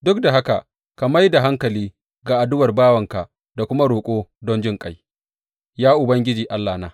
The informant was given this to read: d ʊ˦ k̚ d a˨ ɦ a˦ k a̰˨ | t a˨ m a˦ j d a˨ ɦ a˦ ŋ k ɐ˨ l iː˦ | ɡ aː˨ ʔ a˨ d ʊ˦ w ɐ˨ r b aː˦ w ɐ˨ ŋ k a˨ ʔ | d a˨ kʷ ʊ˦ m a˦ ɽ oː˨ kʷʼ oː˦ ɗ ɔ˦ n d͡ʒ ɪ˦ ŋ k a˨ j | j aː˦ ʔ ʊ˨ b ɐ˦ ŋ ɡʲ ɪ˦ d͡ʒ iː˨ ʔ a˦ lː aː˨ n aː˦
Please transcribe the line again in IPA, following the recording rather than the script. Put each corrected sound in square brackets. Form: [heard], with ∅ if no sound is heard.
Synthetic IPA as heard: d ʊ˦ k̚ d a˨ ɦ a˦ k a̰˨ | [k] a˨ m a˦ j d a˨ ɦ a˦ ŋ k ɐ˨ l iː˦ | ɡ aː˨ ʔ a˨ d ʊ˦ w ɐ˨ r b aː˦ w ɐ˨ ŋ k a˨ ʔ | d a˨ kʷ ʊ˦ m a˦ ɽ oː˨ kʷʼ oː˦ [d] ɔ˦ n d͡ʒ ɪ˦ ŋ [kʼ] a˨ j | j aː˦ ʔ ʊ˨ b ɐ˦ ŋ ɡʲ ɪ˦ d͡ʒ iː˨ ʔ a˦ lː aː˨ n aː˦